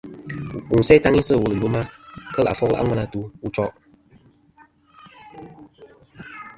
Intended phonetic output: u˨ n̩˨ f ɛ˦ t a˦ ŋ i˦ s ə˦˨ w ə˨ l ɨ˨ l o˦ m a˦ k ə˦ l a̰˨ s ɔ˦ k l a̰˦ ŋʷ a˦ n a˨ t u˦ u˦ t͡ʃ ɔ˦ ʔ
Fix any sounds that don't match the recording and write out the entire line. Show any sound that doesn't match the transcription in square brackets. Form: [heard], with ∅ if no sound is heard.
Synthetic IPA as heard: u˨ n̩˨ [s] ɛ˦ t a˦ ŋ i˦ s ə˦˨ w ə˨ l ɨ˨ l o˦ m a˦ k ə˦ l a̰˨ [f] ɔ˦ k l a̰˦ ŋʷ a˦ n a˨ t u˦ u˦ t͡ʃ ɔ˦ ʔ